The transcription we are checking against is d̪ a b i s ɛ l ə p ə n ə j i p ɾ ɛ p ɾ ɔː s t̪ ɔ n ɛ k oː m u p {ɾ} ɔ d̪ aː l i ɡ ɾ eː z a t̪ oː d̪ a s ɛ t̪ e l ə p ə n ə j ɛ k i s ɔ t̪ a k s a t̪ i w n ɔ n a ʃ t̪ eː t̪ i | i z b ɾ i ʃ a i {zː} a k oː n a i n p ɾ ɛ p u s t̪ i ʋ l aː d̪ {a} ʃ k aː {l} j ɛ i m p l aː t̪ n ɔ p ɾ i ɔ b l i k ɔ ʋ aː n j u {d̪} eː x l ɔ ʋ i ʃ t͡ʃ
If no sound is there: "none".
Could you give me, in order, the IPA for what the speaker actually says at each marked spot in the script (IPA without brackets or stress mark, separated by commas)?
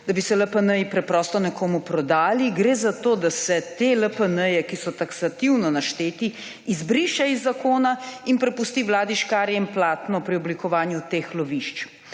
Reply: ɾ, zː, i, ɾ, t̪